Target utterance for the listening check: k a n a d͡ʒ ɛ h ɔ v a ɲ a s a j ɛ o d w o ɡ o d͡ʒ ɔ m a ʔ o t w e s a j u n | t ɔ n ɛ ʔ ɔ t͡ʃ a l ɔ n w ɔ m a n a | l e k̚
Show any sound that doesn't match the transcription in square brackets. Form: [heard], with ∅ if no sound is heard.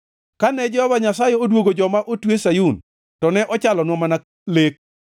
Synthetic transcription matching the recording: k a n [ɛ] d͡ʒ ɛ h ɔ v a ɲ a s a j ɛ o d w o ɡ o d͡ʒ ɔ m a ʔ o t w e s a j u n | t ɔ n ɛ ʔ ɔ t͡ʃ a l ɔ n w ɔ m a n a | l e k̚